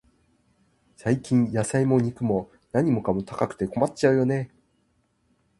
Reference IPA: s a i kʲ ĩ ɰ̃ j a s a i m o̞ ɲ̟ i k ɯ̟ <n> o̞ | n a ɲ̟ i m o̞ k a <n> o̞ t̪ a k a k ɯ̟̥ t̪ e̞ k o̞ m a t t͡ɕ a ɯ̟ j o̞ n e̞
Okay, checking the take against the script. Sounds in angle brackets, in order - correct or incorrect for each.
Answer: incorrect: m, incorrect: m

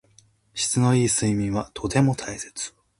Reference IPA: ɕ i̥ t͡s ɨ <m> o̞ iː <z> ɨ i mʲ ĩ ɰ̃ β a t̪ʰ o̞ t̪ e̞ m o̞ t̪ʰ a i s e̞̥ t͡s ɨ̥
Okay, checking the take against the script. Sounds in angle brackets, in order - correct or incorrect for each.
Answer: incorrect: n, incorrect: s

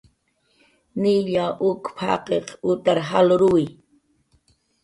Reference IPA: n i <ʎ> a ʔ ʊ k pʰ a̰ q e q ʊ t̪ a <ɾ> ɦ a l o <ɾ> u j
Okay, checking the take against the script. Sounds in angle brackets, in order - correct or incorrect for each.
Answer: correct, correct, correct

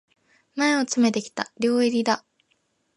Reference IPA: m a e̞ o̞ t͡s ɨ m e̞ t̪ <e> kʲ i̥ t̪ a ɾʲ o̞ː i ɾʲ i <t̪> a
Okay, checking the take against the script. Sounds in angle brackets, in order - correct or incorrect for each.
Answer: correct, incorrect: d̪

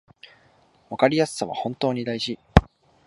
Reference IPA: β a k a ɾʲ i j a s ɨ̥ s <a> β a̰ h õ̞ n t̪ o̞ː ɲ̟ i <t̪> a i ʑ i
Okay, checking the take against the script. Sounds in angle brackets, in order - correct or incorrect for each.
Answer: correct, incorrect: d̪

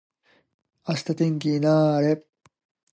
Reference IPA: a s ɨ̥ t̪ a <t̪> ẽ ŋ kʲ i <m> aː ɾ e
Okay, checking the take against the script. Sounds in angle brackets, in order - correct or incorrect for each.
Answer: correct, incorrect: n

